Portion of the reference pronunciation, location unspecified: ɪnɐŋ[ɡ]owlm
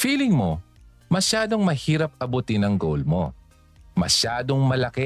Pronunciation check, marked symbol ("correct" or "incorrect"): correct